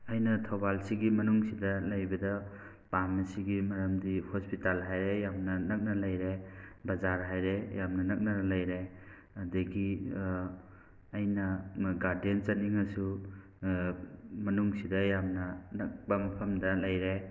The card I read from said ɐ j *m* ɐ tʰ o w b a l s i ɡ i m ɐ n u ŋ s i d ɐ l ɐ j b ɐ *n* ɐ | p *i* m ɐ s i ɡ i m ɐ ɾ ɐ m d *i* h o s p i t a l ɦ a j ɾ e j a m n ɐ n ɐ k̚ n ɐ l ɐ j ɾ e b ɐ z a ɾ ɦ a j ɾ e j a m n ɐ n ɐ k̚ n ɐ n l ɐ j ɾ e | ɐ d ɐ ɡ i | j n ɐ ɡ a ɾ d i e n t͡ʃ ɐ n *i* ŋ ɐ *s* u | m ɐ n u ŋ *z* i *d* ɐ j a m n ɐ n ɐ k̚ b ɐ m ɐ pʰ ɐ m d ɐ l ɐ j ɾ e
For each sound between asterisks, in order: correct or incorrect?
incorrect, incorrect, incorrect, correct, correct, correct, incorrect, correct

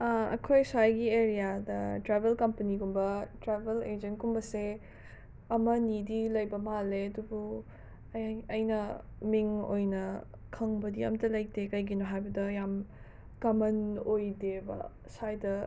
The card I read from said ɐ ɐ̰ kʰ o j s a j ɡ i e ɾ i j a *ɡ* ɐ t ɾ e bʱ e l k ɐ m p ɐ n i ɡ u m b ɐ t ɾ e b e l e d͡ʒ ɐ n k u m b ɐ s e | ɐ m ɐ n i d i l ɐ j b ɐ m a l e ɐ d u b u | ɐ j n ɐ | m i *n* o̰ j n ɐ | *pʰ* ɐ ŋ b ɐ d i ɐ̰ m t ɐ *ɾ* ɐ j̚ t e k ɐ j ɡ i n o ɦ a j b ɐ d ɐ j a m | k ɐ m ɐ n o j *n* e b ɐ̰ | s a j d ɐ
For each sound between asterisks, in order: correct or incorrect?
incorrect, incorrect, incorrect, incorrect, incorrect

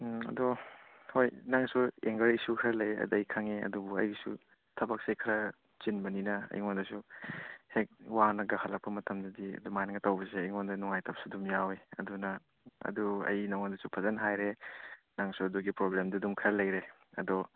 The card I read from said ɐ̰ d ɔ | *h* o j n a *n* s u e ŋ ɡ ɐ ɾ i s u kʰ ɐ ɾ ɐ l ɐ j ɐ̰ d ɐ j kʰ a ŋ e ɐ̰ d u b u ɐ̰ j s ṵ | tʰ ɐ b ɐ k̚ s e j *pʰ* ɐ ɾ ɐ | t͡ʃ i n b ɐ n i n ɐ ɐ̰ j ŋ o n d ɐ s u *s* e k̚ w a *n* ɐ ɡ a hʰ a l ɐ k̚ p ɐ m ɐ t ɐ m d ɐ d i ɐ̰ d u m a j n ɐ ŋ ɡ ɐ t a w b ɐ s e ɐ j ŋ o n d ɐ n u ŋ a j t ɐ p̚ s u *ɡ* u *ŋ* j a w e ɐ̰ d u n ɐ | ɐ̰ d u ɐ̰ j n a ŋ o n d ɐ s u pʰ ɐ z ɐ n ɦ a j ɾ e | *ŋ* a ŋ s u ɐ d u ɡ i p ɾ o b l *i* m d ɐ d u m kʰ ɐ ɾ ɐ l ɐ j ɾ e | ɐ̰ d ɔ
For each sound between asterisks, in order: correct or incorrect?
correct, incorrect, incorrect, incorrect, correct, incorrect, incorrect, incorrect, incorrect

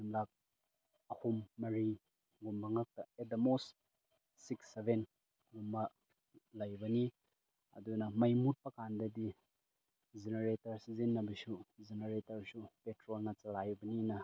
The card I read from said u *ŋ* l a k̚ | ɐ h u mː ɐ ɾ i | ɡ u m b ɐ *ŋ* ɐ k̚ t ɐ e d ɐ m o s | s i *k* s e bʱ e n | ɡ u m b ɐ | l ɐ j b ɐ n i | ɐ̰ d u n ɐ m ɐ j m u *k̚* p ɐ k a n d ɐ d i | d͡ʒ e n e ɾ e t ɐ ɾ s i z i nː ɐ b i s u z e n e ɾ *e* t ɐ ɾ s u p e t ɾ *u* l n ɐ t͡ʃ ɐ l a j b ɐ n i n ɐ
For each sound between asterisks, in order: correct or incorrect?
incorrect, correct, correct, incorrect, correct, incorrect

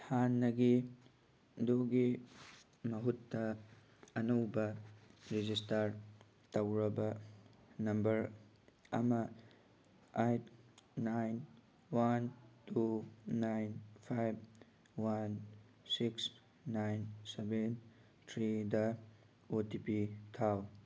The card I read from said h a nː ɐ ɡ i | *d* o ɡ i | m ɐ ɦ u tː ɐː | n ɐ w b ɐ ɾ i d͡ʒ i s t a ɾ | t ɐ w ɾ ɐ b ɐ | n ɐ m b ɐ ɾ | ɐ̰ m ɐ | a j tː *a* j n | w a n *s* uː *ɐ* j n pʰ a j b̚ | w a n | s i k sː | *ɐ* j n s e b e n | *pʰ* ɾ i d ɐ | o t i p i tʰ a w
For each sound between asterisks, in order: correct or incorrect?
correct, correct, incorrect, incorrect, incorrect, incorrect

